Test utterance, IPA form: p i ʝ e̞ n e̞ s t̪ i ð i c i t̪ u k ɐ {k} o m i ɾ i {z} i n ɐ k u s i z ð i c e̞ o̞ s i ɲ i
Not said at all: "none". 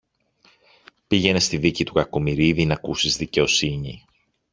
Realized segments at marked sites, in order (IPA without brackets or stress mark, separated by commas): k, ð